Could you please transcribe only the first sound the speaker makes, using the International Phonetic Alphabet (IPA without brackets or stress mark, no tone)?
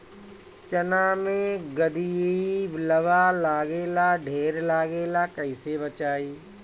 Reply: t͡ʃ